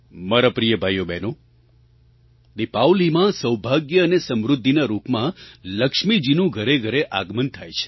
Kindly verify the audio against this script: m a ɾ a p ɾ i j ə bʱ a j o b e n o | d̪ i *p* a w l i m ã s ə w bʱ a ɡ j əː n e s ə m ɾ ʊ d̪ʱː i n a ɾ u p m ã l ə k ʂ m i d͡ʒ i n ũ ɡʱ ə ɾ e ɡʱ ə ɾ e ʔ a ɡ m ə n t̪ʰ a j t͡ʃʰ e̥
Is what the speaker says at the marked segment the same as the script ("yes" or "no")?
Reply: yes